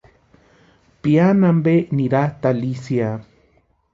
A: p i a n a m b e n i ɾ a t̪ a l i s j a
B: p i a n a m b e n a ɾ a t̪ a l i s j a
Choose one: A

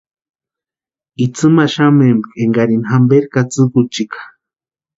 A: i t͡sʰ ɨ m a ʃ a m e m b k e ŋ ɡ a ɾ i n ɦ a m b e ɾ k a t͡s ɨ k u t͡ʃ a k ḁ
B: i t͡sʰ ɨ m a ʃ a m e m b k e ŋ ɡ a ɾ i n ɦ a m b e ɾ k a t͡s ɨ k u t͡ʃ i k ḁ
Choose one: B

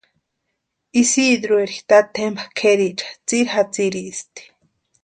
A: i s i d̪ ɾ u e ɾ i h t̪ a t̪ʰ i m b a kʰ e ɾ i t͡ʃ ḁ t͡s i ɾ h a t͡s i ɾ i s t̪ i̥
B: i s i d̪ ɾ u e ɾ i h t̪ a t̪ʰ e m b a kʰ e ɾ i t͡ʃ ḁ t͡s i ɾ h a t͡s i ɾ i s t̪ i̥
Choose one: B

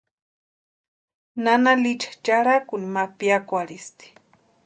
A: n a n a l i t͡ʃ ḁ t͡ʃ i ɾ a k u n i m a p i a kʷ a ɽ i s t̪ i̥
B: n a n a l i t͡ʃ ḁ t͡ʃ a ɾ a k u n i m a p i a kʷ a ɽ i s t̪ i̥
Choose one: B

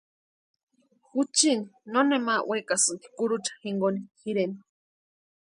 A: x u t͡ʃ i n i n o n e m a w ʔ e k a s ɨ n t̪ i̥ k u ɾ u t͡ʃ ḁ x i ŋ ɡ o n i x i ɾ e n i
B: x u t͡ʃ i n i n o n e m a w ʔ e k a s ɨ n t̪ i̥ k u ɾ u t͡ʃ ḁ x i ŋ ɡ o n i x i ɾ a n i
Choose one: A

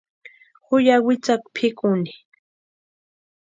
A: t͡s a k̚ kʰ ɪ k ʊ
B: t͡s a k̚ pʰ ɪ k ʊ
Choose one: B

